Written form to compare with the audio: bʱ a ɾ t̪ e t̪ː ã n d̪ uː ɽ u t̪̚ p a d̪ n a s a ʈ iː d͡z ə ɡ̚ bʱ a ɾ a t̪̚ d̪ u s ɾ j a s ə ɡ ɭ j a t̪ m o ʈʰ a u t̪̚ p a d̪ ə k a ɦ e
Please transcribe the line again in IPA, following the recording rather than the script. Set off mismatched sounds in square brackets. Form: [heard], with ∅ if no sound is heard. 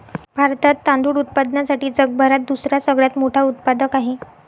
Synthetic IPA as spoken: bʱ a ɾ t̪ [a] t̪ː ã n d̪ uː ɽ u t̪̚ p a d̪ n a s a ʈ iː d͡z ə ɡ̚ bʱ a ɾ a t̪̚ d̪ u s ɾ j a s ə ɡ ɭ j a t̪ m o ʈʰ a u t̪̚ p a d̪ ə k a ɦ e